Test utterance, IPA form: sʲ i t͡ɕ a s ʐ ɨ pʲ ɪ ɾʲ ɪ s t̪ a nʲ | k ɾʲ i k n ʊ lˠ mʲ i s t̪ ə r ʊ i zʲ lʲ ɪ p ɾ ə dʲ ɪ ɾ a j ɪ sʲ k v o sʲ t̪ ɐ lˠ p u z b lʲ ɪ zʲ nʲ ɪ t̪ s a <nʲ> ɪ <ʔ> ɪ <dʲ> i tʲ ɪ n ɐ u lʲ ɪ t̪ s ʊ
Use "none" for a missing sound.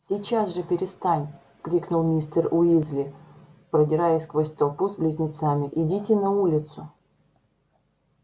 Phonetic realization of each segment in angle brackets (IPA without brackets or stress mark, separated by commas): mʲ, ʔ, dʲ